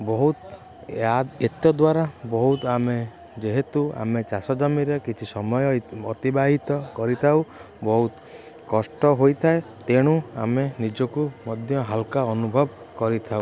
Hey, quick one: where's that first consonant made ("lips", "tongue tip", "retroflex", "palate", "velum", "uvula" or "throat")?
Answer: lips